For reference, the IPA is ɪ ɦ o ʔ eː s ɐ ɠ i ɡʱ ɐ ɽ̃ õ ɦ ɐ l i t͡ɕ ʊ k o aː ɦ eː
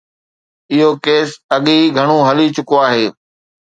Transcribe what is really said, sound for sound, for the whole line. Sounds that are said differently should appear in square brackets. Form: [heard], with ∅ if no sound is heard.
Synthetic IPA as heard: ɪ ɦ o [k] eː s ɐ ɠ i ɡʱ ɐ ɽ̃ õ ɦ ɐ l i t͡ɕ ʊ k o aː ɦ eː